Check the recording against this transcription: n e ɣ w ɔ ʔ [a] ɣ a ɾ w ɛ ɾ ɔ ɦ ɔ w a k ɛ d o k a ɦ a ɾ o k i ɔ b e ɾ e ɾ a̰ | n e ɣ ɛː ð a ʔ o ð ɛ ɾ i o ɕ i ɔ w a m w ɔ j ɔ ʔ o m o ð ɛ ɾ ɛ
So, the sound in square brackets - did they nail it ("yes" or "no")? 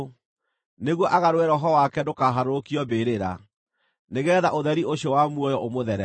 yes